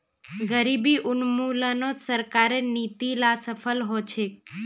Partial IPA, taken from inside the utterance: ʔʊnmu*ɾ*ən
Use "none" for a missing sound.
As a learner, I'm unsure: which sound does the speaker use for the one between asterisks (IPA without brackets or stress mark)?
l